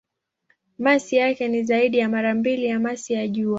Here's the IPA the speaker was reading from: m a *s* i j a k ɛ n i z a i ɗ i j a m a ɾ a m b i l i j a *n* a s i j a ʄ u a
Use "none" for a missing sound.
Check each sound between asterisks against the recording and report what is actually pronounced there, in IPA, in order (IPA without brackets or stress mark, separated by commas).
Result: s, m